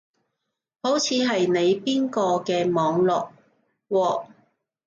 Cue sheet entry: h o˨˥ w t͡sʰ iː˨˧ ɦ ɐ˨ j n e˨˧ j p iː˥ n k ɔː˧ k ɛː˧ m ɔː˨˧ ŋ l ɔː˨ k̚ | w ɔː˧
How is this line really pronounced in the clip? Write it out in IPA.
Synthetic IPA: h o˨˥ w t͡sʰ iː˨˧ ɦ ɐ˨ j n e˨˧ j p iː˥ n k ɔː˧ k ɛː˧ m ɔː˨˧ ŋ l ɔː˨ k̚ | w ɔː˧

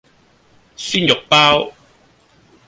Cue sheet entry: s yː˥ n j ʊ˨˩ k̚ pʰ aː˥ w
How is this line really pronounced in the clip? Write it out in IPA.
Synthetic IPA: s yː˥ n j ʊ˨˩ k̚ p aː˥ w

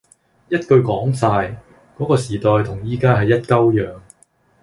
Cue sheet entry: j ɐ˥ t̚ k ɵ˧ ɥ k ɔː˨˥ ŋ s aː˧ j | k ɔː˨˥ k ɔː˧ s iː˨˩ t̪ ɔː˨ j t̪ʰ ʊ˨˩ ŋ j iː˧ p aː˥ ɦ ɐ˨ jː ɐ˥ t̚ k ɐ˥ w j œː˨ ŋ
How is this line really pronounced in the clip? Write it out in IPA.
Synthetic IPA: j ɐ˥ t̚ k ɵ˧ ɥ k ɔː˨˥ ŋ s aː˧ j | k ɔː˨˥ k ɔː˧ s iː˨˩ t̪ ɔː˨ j t̪ʰ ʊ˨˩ ŋ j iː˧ k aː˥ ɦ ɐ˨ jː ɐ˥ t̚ k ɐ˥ w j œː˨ ŋ

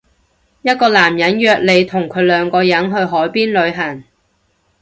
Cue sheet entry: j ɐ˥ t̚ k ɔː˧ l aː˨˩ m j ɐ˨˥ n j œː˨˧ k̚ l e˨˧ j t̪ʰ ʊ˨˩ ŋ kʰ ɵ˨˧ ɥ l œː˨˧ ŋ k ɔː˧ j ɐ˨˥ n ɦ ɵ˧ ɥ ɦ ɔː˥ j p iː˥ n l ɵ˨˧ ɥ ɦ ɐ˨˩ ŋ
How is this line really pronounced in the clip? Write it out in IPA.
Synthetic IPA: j ɐ˥ t̚ k ɔː˧ l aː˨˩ m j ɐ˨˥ n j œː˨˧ k̚ l e˨˧ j t̪ʰ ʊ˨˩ ŋ kʰ ɵ˨˧ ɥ l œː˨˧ ŋ k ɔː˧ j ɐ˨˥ n ɦ ɵ˧ ɥ ɦ ɔː˨˥ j p iː˥ n l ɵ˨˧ ɥ ɦ ɐ˨˩ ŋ

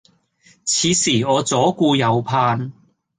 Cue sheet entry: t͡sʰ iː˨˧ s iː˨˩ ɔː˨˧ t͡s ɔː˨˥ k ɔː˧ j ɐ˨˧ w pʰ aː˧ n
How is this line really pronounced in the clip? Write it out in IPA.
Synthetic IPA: t͡sʰ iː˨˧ s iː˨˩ ɔː˨˧ t͡s ɔː˨˥ k uː˧ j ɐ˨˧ w pʰ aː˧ n

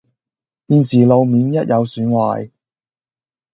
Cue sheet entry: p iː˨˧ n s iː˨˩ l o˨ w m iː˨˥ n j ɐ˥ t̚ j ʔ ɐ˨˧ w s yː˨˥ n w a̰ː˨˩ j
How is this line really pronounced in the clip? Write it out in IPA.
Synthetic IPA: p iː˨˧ n s iː˨˩ l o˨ w m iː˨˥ n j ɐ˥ t̚ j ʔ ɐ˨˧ w s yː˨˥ n w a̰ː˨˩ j

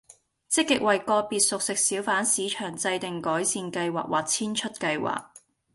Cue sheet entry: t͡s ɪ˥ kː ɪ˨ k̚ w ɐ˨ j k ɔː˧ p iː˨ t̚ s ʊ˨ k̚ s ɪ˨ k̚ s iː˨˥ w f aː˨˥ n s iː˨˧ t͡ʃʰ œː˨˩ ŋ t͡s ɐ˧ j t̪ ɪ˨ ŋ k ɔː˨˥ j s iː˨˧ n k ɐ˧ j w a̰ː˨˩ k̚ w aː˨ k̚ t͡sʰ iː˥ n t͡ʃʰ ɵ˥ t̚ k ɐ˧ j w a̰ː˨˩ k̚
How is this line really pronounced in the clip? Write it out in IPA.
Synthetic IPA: t͡s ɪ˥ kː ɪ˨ k̚ w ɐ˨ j k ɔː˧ p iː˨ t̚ s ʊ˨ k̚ s ɪ˨ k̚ s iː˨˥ w f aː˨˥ n s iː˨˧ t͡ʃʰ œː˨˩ ŋ t͡s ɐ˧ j t̪ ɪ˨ ŋ k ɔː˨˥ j s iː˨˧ n k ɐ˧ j w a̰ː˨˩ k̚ w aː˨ k̚ t͡sʰ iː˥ n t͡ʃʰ ɵ˥ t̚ k ɐ˧ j w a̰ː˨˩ k̚

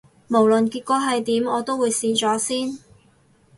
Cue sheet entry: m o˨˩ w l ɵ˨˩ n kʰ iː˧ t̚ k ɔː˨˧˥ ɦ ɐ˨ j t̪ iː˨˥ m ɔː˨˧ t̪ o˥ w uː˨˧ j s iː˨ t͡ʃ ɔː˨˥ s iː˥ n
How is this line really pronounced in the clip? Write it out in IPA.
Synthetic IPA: m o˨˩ w l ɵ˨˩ n k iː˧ t̚ k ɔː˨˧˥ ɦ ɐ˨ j t̪ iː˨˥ m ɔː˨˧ t̪ o˥ w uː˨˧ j s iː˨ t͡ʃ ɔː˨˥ s iː˥ n

